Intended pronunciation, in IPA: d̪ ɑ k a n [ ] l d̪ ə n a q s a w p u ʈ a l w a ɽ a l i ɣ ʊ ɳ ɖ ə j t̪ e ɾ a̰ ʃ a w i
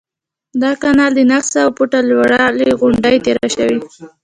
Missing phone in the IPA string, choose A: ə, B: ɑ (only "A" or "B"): B